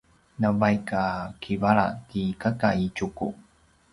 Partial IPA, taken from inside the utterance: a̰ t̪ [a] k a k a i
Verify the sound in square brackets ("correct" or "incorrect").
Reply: incorrect